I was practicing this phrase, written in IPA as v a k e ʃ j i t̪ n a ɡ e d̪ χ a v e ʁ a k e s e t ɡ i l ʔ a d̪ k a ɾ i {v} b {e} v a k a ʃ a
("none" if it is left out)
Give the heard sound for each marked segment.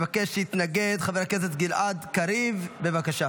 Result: v, e

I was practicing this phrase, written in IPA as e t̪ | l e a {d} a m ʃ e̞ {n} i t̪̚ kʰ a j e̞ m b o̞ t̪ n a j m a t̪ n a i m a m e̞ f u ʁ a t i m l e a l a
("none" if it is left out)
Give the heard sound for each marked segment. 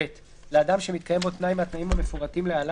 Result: d, m

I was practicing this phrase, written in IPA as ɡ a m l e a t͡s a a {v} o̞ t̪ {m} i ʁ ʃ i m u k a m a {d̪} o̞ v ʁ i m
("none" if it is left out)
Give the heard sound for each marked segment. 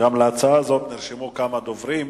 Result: z, n, d̪

